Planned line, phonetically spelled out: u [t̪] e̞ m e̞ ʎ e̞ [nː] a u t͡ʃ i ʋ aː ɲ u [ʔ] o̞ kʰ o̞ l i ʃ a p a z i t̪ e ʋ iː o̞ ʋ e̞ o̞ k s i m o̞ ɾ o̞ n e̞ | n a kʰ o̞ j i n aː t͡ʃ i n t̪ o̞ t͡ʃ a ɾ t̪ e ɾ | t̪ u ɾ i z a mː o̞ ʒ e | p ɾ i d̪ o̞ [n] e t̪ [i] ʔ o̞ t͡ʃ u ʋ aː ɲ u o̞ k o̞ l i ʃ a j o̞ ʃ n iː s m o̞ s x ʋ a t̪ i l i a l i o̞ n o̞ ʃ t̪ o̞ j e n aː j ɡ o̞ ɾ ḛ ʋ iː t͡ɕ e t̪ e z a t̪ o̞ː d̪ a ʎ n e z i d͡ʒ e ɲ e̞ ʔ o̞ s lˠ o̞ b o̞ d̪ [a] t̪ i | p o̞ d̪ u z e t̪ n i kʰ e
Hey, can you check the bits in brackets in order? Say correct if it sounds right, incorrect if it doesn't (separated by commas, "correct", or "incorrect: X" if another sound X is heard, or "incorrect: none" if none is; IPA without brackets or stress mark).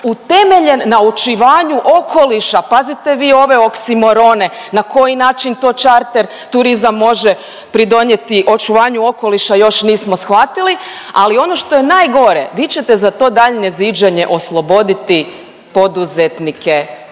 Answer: correct, correct, correct, incorrect: ɲ, correct, incorrect: i